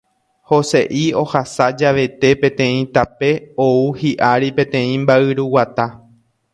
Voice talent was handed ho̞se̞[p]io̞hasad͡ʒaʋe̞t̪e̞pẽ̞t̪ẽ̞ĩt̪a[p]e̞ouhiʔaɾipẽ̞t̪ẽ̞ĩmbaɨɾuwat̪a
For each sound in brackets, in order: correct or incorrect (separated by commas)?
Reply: incorrect, correct